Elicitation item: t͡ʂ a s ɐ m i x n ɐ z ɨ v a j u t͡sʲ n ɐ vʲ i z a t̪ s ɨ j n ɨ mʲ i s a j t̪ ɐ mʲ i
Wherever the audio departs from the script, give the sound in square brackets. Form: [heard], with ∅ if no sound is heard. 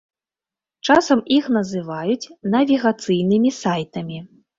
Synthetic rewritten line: t͡ʂ a s ɐ m i x n ɐ z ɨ v a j u t͡sʲ n ɐ vʲ i [ɣ] a t̪ s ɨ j n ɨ mʲ i s a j t̪ ɐ mʲ i